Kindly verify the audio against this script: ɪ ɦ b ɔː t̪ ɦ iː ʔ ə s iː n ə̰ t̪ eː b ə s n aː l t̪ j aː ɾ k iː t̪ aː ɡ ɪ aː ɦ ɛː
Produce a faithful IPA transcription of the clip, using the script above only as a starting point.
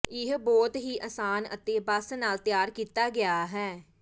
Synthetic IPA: ɪ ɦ b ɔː t̪ ɦ iː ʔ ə s aː n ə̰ t̪ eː b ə s n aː l t̪ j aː ɾ k iː t̪ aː ɡ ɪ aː ɦ ɛː